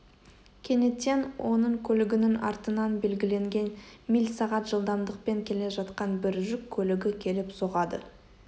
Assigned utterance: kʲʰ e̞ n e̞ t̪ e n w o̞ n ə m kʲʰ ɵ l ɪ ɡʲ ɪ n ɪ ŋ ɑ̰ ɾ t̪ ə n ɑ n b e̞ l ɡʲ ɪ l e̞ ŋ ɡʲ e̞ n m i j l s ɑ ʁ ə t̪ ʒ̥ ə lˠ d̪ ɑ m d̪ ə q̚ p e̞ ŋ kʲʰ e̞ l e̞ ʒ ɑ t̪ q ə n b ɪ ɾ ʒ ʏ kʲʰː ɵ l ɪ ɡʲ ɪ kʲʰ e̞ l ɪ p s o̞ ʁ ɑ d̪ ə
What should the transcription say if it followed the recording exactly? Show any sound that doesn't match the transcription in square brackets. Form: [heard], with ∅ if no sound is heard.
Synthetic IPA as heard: kʲʰ e̞ n e̞ t̪ e n w o̞ n ə [ɴ] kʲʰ ɵ l ɪ ɡʲ ɪ n ɪ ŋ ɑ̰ ɾ t̪ ə n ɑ n b e̞ l ɡʲ ɪ l e̞ ŋ ɡʲ e̞ n m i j l s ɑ ʁ [ɑ] t̪ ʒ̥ ə lˠ d̪ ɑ m d̪ ə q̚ p e̞ ŋ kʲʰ e̞ l e̞ ʒ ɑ t̪ q [ɑ] n b ɪ ɾ ʒ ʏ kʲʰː ɵ l ɪ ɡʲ ɪ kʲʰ e̞ l ɪ p s o̞ ʁ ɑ d̪ ə